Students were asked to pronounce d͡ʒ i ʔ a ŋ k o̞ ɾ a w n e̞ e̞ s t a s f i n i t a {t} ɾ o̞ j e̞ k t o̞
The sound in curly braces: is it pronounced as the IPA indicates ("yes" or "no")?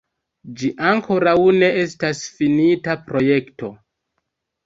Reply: no